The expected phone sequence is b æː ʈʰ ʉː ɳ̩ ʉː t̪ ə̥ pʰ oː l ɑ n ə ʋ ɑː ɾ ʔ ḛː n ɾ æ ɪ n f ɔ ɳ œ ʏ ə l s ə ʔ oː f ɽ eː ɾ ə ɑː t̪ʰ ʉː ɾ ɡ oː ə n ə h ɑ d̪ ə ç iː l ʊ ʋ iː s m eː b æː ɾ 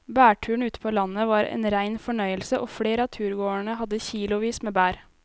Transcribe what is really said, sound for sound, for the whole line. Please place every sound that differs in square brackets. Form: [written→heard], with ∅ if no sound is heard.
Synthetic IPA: b æː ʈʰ ʉː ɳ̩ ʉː t̪ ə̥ pʰ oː l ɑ n ə ʋ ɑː ɾ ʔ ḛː n ɾ æ ɪ n f ɔ ɳ œ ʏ ə l s ə ʔ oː f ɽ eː ɾ ə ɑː t̪ʰ ʉː ɾ ɡ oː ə [n→ɳ] ə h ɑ d̪ ə ç iː l ʊ ʋ iː s m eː b æː ɾ